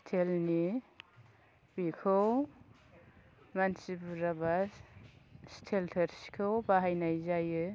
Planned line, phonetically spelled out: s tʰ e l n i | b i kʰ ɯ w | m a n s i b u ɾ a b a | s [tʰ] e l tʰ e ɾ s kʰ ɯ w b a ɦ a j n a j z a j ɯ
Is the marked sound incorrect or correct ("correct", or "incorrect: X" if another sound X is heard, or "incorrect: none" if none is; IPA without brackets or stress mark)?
correct